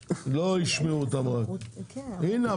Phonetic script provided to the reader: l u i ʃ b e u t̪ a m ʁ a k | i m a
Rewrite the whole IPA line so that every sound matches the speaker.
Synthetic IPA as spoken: l o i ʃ m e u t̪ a m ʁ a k | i n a